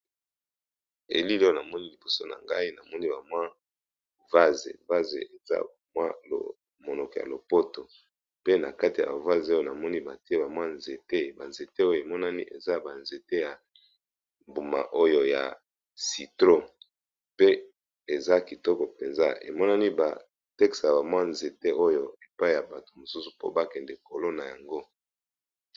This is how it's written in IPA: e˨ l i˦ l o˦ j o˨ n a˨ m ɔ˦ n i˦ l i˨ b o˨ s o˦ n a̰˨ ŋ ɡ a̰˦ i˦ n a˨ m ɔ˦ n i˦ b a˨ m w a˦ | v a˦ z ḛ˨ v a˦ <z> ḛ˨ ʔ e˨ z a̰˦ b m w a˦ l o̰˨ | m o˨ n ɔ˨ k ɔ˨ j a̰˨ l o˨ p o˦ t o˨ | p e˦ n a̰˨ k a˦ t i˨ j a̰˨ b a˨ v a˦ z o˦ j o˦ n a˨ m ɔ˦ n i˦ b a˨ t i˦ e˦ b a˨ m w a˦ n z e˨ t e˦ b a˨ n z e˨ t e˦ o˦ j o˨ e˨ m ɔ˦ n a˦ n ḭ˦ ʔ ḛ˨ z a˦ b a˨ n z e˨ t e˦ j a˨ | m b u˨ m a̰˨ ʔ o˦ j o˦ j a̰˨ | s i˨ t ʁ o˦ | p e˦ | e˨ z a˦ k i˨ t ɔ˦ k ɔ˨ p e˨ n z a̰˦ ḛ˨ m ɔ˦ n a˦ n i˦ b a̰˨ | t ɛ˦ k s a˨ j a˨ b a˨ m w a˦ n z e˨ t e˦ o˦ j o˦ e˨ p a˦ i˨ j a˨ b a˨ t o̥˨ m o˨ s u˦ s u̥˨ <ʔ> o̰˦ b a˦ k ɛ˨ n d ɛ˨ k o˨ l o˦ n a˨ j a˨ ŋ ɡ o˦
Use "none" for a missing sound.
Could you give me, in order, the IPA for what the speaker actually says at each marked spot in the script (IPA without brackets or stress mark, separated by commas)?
z, p